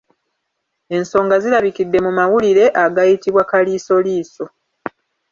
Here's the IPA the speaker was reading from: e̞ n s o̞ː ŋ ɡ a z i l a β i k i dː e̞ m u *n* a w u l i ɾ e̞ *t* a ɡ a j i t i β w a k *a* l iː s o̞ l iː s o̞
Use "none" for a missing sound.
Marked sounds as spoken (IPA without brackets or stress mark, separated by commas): m, ʔ, a